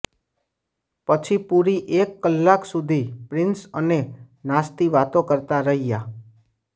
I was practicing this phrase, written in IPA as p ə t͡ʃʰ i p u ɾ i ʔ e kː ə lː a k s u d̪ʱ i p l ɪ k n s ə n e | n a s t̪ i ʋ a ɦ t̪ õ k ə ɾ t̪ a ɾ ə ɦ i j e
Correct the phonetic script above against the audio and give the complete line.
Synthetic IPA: p ə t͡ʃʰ i p u ɾ i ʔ e kː ə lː a k s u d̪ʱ i p ɾ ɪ n s ə n e | n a s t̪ i ʋ a t̪ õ k ə ɾ t̪ a ɾ ə ɦ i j a